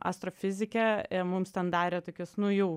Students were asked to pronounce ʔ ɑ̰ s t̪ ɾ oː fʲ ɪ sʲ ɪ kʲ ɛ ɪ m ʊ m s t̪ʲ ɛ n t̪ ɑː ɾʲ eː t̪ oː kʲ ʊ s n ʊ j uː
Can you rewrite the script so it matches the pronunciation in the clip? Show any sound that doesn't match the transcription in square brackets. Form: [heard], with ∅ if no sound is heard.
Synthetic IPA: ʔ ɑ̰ s t̪ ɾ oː fʲ ɪ [zʲ] ɪ kʲ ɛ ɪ m ʊ m s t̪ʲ ɛ n [d̪] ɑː ɾʲ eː t̪ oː kʲ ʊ s n ʊ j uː